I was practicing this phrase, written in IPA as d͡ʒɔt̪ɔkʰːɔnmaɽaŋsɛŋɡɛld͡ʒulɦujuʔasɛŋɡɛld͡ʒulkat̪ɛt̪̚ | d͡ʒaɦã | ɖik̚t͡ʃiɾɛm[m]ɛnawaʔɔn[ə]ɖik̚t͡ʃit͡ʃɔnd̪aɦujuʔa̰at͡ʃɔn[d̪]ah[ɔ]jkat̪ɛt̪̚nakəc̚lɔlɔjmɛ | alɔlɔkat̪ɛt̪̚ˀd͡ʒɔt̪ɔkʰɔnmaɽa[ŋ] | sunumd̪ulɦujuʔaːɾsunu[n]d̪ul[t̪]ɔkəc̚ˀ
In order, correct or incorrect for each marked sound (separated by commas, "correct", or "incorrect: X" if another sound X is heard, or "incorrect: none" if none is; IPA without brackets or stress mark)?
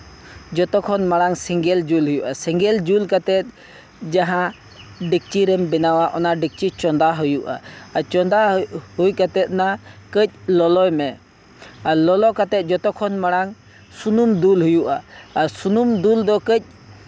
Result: incorrect: b, incorrect: a, correct, incorrect: u, correct, incorrect: m, incorrect: d̪